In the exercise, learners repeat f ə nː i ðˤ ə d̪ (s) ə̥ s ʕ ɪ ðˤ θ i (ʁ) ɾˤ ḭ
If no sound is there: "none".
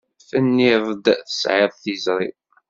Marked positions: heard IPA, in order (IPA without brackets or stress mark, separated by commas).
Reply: θ, z